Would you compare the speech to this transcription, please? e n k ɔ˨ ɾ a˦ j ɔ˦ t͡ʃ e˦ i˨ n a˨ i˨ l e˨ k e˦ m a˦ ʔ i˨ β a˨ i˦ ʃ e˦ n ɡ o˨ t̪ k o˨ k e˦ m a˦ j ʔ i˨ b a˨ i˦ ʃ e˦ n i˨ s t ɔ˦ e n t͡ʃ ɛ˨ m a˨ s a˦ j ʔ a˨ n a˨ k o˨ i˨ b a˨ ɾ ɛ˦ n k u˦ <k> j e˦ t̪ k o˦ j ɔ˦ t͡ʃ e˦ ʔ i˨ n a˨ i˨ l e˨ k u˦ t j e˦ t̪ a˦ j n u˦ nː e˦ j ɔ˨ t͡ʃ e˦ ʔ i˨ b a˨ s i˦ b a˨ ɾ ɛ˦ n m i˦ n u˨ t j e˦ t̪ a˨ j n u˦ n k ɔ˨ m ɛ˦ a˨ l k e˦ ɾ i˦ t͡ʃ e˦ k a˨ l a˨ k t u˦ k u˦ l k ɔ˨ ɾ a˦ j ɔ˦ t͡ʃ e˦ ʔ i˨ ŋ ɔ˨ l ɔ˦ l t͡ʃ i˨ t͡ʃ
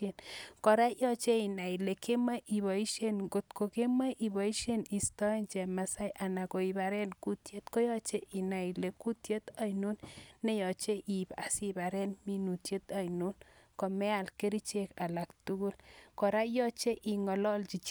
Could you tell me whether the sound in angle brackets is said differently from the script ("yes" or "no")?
yes